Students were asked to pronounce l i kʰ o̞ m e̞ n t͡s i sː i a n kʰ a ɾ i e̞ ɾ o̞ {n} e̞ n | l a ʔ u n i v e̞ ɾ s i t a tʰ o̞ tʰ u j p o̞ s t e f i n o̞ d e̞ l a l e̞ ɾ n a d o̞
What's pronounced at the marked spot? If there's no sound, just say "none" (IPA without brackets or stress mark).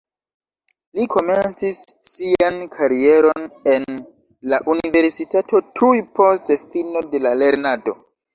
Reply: n